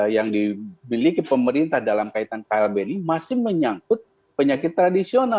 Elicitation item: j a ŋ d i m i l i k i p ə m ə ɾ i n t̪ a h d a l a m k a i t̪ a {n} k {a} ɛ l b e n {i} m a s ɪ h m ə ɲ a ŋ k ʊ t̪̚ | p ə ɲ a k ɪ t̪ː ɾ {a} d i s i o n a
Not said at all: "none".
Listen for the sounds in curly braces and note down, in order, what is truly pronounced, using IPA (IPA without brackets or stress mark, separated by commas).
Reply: n, a, i, a